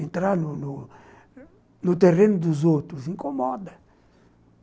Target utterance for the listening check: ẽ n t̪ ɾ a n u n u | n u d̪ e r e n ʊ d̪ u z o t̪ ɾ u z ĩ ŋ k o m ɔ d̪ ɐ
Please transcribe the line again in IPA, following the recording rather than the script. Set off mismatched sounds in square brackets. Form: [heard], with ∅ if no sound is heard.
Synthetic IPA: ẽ n t̪ ɾ a n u n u | n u [t̪] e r e n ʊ d̪ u z o t̪ ɾ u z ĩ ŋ k o m ɔ d̪ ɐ